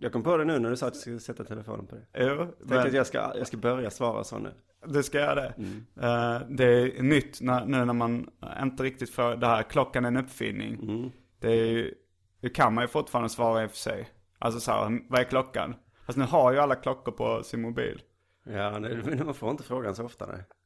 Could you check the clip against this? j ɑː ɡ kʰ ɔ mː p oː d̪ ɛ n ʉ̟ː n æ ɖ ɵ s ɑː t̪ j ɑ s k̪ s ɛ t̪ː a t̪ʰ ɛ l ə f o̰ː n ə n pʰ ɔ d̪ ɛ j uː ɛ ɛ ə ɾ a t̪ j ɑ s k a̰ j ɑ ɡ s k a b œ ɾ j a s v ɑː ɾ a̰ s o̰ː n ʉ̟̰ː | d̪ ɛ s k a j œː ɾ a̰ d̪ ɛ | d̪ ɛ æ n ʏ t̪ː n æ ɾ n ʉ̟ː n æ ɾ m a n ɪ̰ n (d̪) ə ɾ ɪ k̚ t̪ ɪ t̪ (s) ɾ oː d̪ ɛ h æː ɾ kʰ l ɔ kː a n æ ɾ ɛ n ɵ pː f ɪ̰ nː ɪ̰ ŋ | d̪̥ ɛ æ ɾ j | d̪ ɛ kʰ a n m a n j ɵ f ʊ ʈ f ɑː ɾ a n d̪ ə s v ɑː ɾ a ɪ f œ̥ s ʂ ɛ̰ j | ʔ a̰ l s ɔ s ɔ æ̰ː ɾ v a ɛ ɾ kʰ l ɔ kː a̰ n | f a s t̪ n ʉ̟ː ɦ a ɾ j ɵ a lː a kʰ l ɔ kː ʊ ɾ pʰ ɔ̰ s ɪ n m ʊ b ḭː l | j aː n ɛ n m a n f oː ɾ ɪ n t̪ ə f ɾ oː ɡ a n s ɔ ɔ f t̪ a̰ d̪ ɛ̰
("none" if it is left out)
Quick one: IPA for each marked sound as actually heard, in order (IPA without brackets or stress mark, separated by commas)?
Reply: t̪, f